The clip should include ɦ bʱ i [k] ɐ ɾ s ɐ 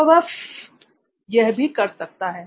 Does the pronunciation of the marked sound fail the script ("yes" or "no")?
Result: no